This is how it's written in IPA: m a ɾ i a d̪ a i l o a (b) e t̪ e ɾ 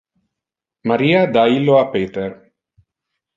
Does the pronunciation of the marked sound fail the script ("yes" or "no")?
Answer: yes